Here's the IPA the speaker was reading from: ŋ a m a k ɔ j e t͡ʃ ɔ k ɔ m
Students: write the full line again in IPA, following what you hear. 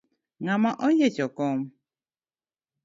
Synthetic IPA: ŋ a m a ʔ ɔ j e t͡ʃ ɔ k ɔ m